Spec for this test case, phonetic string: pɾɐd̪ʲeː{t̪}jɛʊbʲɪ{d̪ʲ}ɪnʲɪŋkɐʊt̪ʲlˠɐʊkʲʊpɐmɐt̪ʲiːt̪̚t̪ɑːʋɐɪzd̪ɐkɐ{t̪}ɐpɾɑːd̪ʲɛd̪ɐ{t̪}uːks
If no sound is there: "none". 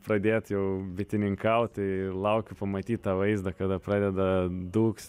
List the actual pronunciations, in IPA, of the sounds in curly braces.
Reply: t̪, t̪ʲ, d̪, d̪

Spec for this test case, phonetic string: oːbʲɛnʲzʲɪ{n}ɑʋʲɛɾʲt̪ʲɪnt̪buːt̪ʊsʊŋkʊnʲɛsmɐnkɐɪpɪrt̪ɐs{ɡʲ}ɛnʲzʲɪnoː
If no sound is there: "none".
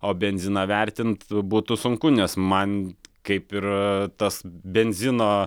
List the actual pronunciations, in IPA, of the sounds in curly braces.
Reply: n, bʲ

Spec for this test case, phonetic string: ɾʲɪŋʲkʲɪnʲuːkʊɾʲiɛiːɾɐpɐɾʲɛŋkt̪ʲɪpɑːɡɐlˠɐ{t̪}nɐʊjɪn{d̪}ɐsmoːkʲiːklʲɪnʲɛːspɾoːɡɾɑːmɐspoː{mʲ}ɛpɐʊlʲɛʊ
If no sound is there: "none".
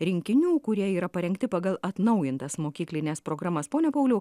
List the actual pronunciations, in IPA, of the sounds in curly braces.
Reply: t̪, t̪, nʲ

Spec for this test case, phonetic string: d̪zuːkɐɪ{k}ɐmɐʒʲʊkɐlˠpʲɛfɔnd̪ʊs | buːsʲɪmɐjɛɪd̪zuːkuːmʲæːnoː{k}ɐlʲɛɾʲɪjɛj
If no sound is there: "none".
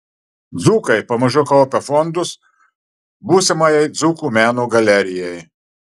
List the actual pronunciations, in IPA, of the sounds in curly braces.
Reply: p, ɡ

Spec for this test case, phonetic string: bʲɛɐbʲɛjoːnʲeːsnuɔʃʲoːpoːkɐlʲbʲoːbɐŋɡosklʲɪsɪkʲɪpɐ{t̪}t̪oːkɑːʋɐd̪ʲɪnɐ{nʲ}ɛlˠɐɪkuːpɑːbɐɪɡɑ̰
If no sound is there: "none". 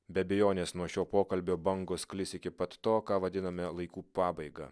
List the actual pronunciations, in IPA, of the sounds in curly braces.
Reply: t̪, mʲ

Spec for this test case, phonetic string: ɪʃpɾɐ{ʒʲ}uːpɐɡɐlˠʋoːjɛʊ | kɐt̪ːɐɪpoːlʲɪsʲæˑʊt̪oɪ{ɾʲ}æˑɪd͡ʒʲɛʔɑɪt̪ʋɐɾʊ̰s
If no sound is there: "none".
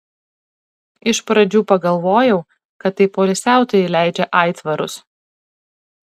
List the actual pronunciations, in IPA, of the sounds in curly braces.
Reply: d͡ʒʲ, lʲ

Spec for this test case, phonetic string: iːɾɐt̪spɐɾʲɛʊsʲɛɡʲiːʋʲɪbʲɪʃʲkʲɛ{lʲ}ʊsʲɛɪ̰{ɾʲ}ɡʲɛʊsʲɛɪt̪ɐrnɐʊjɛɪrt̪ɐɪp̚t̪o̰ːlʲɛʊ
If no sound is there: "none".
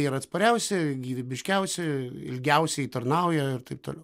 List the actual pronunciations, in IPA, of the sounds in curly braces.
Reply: none, lʲ

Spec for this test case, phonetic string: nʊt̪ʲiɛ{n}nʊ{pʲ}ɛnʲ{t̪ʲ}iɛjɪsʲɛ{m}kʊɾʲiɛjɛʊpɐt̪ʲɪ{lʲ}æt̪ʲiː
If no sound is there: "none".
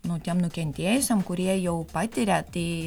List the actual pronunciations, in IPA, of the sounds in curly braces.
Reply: m, kʲ, t̪ʲ, m, ɾʲ

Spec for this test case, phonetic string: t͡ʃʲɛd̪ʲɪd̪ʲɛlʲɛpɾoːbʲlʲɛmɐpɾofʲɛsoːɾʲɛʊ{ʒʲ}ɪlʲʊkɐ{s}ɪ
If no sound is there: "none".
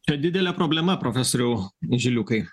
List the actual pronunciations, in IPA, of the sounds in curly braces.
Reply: ʒʲ, none

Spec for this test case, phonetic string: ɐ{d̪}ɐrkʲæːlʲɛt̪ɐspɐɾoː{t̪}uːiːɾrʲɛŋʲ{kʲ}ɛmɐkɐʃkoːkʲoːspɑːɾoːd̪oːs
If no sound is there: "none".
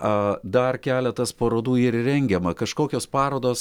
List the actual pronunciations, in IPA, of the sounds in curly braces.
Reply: d̪, d̪, ɡʲ

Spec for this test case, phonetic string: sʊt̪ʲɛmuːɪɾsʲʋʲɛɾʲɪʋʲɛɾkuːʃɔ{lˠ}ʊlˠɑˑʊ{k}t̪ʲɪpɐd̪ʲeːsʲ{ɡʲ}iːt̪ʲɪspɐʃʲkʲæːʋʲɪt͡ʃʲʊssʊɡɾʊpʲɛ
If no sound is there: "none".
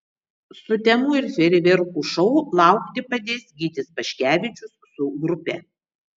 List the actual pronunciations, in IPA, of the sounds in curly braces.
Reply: none, k, ɡʲ

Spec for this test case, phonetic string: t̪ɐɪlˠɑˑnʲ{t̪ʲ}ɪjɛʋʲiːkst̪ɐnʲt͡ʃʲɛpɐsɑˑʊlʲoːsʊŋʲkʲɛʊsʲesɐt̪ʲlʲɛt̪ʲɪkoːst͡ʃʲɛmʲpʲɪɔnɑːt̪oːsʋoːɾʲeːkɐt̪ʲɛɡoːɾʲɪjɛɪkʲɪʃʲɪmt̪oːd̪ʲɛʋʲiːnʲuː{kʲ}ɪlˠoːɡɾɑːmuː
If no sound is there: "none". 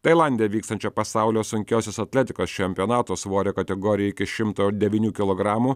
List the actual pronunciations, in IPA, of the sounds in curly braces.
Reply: d̪ʲ, kʲ

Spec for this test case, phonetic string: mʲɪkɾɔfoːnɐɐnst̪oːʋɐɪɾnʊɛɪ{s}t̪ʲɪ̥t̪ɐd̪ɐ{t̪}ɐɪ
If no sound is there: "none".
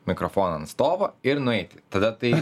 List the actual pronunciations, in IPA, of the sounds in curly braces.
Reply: none, t̪

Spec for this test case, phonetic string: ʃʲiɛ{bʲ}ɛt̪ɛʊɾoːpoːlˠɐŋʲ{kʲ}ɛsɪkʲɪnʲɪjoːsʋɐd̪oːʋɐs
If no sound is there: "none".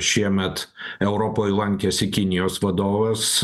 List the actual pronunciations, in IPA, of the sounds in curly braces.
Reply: mʲ, kʲ

